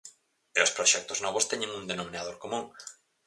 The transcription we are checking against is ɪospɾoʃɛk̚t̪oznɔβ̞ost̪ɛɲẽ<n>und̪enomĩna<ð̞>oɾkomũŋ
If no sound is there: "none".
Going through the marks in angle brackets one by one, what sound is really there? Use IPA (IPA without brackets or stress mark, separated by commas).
ŋ, ð̞